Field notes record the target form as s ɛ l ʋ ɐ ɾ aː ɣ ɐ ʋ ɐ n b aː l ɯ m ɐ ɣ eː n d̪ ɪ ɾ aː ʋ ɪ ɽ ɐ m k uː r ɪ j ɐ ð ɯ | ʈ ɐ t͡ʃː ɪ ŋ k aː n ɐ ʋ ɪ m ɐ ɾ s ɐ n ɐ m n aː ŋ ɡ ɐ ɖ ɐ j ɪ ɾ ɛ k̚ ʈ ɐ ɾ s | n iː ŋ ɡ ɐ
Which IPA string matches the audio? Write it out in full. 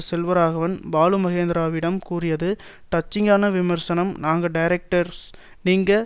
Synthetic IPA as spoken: s ɛ l ʋ ɐ ɾ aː ɣ ɐ ʋ ɐ n b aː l ɯ m ɐ ɣ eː n d̪ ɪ ɾ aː ʋ ɪ ɽ ɐ m k uː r ɪ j ɐ ð ɯ | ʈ ɐ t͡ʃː ɪ ŋ ɡ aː n ɐ ʋ ɪ m ɐ ɾ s ɐ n ɐ m n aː ŋ ɡ ɐ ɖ ɐ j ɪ ɾ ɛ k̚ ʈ ɐ ɾ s | n iː ŋ ɡ ɐ